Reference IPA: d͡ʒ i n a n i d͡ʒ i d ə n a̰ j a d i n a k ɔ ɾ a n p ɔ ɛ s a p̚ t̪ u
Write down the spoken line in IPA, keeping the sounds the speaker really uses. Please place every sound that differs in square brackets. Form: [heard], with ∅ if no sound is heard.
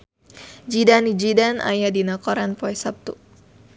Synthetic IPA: d͡ʒ i [d] a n i d͡ʒ i d [a] n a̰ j a d i n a k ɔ ɾ a n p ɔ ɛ s a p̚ t̪ u